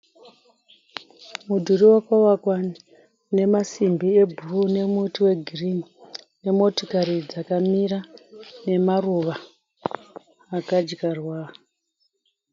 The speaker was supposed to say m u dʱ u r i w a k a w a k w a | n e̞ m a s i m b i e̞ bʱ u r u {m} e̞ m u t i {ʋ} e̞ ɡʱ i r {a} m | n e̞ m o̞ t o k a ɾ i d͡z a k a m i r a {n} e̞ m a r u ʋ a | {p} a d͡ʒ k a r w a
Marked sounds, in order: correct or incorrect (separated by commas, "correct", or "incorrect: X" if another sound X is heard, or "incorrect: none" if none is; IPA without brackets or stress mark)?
incorrect: n, incorrect: w, incorrect: i, correct, incorrect: k